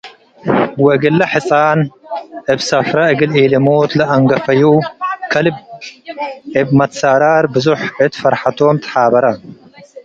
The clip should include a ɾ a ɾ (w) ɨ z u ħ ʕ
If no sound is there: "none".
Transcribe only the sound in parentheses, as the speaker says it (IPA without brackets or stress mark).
b